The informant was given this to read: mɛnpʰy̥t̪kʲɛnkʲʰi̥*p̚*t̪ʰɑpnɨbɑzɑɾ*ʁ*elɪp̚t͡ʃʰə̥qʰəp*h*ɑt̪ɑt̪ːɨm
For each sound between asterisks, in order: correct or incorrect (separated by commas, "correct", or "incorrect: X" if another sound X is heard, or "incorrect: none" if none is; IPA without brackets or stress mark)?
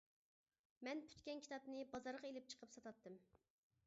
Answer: incorrect: none, correct, incorrect: s